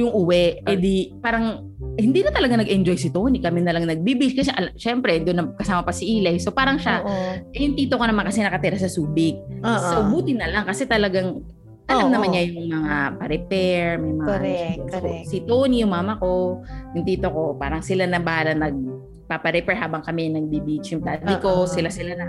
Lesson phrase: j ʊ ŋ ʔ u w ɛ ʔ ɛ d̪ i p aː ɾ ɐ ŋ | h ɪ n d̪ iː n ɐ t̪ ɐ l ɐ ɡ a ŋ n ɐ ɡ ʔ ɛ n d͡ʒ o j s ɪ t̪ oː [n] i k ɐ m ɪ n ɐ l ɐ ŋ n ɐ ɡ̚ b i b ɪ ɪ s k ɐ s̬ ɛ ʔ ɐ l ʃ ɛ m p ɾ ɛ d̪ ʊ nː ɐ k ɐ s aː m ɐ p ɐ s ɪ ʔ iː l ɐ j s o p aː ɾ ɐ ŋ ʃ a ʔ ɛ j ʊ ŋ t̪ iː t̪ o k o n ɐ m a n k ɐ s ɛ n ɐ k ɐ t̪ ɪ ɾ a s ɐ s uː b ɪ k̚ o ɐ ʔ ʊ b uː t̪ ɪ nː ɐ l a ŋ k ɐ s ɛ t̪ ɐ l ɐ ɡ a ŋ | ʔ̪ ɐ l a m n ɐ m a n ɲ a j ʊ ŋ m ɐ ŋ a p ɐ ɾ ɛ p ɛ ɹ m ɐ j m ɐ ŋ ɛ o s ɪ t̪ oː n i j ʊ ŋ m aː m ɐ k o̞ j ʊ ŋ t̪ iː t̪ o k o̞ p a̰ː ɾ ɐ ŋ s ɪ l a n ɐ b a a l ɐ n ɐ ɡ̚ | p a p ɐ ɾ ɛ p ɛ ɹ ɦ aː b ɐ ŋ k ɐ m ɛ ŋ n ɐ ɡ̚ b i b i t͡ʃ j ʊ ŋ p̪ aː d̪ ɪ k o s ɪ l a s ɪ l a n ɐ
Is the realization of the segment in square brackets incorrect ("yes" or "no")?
no